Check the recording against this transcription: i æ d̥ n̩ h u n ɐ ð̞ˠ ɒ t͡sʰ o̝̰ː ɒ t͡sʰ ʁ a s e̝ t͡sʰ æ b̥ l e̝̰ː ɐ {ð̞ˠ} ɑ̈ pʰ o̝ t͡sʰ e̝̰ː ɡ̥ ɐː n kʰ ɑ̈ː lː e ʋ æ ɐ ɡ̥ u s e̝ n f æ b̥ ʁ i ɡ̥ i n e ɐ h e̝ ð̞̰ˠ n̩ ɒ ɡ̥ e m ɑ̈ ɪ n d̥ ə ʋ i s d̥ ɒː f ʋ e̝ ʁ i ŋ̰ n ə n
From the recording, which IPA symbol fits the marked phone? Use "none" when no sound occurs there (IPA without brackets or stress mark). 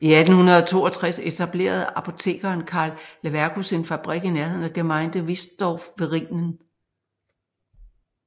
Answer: ð̞ˠ